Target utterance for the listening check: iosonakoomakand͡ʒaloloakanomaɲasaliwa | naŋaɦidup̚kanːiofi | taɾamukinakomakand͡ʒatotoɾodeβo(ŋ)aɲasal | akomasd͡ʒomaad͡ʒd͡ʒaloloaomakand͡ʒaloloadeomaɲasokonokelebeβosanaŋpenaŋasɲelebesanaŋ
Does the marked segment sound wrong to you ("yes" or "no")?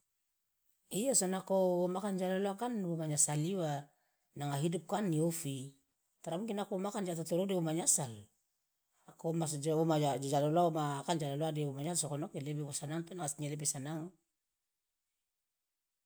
yes